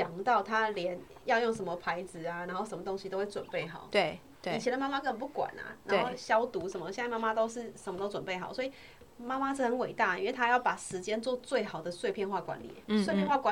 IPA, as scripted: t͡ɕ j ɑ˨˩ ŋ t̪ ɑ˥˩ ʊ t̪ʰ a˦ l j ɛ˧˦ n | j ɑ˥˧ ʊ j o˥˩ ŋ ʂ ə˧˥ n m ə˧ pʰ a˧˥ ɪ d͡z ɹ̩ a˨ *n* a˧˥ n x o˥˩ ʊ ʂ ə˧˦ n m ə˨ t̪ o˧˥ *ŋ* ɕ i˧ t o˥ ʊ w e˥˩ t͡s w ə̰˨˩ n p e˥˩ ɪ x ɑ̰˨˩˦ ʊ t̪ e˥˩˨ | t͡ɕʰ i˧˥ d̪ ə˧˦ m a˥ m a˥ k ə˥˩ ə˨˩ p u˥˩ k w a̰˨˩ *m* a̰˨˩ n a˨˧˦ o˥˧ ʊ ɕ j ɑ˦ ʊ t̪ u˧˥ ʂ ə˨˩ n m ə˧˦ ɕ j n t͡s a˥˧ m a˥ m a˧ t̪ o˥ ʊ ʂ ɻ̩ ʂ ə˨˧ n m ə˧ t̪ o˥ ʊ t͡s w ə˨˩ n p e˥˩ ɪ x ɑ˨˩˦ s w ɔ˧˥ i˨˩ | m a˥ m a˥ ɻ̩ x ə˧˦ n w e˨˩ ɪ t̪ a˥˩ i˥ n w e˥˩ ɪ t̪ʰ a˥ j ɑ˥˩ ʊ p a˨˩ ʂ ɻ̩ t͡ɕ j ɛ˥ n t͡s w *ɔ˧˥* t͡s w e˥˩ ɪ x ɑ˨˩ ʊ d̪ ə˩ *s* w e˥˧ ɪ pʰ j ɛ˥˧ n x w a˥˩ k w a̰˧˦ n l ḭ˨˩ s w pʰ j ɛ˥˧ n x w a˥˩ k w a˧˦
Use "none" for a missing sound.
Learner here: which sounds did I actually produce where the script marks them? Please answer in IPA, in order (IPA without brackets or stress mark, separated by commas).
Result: n, ŋ, n, ɔ˥˧, s